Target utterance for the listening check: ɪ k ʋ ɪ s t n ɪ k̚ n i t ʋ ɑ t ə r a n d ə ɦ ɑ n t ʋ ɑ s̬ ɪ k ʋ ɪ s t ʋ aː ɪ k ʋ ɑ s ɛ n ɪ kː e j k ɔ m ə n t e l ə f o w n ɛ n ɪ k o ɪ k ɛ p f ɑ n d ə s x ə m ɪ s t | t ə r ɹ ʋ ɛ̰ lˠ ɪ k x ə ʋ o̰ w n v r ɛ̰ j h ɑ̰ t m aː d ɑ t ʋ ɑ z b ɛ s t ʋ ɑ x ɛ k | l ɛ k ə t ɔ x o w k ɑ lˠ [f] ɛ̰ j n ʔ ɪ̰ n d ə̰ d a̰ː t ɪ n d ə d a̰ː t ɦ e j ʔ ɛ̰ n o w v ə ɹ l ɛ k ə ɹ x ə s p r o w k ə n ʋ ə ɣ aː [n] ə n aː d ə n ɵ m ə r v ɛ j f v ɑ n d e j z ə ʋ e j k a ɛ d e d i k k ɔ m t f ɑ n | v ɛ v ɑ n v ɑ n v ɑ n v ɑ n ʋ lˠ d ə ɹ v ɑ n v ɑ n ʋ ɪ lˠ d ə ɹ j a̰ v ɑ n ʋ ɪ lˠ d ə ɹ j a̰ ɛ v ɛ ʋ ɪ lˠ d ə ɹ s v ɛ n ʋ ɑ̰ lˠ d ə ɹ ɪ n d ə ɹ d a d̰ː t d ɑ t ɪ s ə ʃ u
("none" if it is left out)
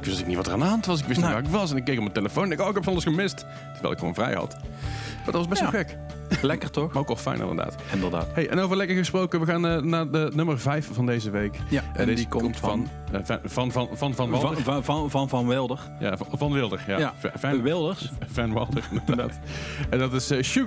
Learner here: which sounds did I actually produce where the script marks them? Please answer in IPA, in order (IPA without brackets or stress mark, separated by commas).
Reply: f, n